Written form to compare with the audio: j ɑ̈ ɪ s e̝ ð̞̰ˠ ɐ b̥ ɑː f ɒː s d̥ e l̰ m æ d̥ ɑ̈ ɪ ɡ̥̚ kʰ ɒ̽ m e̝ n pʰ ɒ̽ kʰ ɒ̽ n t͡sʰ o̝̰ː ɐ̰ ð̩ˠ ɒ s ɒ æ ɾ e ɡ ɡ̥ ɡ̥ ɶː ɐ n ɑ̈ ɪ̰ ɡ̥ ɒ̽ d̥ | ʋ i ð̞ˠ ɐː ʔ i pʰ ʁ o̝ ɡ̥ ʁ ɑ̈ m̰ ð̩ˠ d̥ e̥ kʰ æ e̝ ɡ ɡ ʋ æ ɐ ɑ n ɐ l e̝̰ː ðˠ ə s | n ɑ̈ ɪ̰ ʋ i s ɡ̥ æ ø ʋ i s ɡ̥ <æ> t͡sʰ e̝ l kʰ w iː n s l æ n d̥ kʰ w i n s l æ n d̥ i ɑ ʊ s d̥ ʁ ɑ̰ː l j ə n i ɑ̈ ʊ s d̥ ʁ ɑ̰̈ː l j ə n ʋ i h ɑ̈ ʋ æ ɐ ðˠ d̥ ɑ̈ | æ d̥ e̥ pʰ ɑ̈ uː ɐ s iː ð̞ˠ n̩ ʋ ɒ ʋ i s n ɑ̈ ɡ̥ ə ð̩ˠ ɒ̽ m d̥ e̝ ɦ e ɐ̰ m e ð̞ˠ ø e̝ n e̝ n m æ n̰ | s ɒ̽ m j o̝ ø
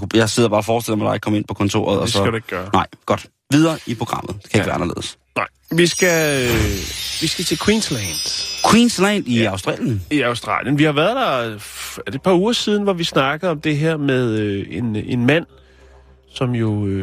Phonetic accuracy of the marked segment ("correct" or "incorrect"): correct